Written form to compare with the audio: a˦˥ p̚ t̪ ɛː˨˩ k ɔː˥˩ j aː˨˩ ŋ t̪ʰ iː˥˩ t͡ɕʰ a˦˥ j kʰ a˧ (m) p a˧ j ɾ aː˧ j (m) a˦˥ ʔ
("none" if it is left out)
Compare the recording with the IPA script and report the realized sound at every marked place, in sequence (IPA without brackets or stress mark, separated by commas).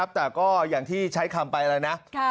m, n